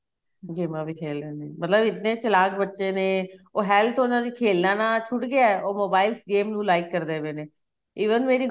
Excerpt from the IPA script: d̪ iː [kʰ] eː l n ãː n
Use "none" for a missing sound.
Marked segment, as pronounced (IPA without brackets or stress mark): kʰ